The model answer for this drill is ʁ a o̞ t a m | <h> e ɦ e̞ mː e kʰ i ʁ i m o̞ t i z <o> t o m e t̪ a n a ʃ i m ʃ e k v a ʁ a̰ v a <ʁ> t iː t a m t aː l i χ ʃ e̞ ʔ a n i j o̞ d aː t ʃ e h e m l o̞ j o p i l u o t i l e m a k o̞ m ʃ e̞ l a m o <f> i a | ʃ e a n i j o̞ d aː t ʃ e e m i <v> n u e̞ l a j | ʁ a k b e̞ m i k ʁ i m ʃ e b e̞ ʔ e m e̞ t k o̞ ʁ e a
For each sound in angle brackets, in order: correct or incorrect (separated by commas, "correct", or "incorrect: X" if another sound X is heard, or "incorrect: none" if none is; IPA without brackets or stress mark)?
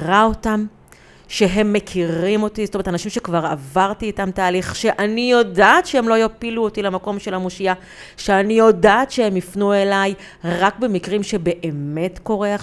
incorrect: ʃ, correct, correct, incorrect: ʃ, incorrect: f